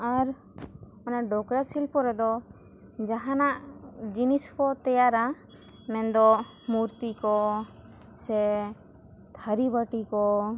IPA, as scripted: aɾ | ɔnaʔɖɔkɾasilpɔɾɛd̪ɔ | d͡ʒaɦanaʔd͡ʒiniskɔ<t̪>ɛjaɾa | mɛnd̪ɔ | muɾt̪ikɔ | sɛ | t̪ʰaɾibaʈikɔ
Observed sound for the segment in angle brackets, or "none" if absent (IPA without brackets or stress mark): t̪